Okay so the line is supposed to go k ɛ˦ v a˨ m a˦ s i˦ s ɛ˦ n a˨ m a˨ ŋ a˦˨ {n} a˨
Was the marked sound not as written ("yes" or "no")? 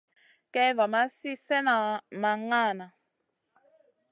no